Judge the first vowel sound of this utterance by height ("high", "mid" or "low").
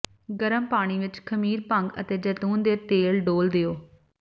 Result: mid